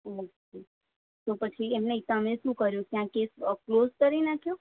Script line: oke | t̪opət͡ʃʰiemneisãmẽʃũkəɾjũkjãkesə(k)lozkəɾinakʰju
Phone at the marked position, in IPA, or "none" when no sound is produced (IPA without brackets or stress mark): k